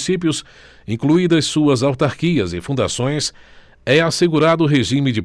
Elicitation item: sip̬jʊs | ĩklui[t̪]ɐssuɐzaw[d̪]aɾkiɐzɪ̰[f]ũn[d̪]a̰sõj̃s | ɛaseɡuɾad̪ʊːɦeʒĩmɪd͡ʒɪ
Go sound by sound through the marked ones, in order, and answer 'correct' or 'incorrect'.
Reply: incorrect: d̪, incorrect: t̪, correct, correct

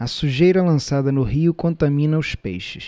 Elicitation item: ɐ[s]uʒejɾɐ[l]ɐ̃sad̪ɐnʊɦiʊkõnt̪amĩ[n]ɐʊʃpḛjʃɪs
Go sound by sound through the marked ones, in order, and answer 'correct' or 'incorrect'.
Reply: correct, correct, correct

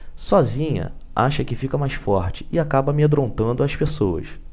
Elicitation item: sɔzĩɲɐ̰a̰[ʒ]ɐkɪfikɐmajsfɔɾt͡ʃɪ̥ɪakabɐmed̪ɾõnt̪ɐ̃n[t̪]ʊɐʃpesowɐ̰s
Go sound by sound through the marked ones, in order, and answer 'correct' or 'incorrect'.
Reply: incorrect: ʃ, incorrect: d̪

